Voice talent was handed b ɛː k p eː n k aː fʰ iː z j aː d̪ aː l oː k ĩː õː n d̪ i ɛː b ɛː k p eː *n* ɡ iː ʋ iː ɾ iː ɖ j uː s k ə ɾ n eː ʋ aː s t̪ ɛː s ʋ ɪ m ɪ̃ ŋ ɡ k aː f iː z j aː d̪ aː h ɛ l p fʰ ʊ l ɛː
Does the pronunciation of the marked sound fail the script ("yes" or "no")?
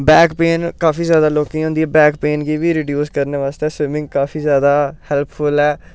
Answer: no